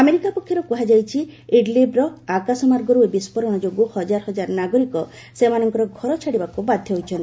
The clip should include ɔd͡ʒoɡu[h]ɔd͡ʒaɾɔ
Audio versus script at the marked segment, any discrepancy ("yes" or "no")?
no